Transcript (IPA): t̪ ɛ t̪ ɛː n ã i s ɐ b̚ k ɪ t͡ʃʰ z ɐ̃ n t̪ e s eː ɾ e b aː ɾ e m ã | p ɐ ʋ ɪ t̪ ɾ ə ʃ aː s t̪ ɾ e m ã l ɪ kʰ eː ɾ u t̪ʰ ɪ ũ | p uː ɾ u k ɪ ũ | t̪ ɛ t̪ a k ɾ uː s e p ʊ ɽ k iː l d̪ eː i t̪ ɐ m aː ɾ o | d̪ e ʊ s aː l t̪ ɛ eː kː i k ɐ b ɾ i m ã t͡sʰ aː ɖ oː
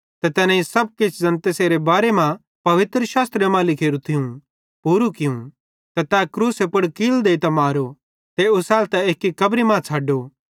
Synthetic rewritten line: t̪ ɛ t̪ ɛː n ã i s ɐ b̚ k ɪ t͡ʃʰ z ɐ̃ n t̪ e s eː ɾ e b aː ɾ e m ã | p ɐ ʋ ɪ t̪ ɾ ə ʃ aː s t̪ ɾ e m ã l ɪ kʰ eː ɾ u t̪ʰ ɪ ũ | p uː ɾ u k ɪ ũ | t̪ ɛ t̪ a k ɾ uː s e p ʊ ɽ k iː l d̪ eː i t̪ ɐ m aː ɾ o | t̪ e ʊ s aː l t̪ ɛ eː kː i k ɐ b ɾ i m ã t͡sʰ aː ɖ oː